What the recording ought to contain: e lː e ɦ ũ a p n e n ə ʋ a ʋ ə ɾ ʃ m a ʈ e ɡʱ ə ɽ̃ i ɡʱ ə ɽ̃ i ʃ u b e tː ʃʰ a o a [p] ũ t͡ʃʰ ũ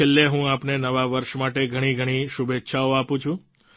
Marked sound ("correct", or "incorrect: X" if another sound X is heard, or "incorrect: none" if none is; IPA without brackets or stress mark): correct